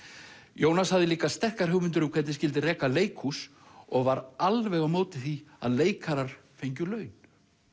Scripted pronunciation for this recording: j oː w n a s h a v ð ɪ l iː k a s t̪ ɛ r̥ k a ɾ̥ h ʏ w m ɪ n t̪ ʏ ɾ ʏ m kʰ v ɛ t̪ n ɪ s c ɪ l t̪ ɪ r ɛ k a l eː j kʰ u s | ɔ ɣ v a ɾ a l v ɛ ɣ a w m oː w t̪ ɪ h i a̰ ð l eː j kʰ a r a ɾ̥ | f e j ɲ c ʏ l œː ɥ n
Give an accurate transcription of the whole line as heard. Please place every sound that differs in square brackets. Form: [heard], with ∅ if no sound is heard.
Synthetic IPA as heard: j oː w n a s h a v ð ɪ l iː k a s t̪ ɛ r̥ k a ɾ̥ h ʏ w m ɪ n t̪ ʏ ɾ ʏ m kʰ v ɛ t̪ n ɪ s c ɪ l t̪ ɪ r [ɛː] k a l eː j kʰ u s | ɔ ɣ v a ɾ a l v ɛ ɣ a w m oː w t̪ ɪ [θ] i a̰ ð l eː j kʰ a [ɾ] a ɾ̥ | f e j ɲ c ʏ l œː ɥ n

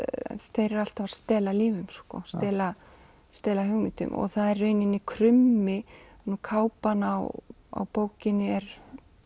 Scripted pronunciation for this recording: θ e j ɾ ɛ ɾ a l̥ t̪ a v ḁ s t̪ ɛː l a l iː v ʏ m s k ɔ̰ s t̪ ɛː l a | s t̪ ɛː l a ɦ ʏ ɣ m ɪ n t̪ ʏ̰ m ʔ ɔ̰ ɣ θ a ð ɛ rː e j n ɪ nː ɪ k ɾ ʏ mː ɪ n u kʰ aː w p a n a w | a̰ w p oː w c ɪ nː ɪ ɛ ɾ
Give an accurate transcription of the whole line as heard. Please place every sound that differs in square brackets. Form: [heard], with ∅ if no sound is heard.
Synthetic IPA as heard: θ e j ɾ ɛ ɾ a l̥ t̪ a v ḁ s t̪ ɛː l a l iː v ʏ m s k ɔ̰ s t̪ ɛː l a | s t̪ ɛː l a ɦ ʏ ɣ m ɪ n t̪ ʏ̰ m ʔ ɔ̰ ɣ θ a ð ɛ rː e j n ɪ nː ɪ [kʰ] ɾ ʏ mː ɪ n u kʰ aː w p a n a w | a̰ w p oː w c ɪ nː ɪ ɛ ɾ

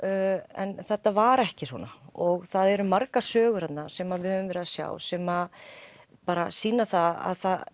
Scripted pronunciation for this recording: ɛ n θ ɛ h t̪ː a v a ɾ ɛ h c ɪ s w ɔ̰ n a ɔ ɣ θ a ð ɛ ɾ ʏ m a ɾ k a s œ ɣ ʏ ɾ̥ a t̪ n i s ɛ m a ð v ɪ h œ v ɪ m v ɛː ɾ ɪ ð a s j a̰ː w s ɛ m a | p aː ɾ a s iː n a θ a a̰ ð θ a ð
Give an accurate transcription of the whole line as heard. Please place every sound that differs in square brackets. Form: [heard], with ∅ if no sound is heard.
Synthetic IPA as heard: ɛ n θ ɛ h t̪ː a v a ɾ ɛ h c ɪ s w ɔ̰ n a ɔ ɣ θ a ð ɛ ɾ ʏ m a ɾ k a s [œː] ɣ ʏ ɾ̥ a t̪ n [a] s ɛ m a ð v ɪ h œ v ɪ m v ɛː ɾ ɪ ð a s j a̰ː w s ɛ m a | p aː ɾ a s iː n a θ a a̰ ð θ a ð

